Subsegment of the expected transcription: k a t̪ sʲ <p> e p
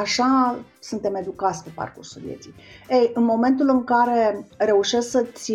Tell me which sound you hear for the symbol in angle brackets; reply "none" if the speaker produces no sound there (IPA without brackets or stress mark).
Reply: p